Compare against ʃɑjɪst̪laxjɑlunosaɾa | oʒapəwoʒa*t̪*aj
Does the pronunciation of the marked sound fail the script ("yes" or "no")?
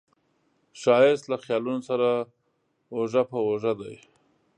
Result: yes